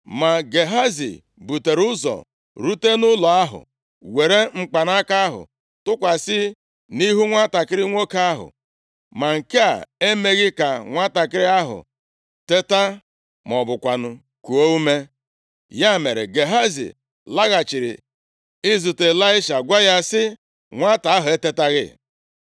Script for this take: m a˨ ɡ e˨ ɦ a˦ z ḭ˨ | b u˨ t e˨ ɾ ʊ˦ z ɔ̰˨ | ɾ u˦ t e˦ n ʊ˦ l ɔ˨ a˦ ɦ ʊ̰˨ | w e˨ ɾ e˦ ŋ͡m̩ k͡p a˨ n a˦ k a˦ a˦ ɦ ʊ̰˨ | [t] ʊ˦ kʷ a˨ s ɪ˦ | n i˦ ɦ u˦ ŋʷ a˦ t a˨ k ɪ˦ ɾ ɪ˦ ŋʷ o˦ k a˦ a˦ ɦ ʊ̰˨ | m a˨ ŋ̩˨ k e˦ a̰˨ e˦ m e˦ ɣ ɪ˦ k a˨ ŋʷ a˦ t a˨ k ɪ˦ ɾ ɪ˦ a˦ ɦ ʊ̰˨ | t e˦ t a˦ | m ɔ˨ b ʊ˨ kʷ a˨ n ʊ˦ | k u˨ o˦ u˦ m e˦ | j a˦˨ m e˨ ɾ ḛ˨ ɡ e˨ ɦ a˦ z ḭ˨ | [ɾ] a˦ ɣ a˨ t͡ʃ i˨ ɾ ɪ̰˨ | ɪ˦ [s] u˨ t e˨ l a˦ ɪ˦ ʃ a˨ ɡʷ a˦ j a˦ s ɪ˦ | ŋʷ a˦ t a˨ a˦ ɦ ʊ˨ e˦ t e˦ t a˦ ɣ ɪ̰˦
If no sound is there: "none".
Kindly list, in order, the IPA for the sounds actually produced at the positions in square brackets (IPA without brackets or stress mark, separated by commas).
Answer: t, l, z